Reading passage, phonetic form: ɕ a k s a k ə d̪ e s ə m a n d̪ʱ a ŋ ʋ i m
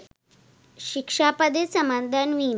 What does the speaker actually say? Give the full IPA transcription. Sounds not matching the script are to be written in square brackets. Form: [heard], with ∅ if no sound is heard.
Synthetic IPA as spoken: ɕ [i] k [ʂ] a [p] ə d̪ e s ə m a n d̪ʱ a [n] ʋ i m